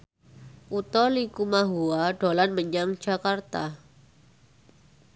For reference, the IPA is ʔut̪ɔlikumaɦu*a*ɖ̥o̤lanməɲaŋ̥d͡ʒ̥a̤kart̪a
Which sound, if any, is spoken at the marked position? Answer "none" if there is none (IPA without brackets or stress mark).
a